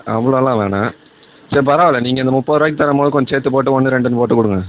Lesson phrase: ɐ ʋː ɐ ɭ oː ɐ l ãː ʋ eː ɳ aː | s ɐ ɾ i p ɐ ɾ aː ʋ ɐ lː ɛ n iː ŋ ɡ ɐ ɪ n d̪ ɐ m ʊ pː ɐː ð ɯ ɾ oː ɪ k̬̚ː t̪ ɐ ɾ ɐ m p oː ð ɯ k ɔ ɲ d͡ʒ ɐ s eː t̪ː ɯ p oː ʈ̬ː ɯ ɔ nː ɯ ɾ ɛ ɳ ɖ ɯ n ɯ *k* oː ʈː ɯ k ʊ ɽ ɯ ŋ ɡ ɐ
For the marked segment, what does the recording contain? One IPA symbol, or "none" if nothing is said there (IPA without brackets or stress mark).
p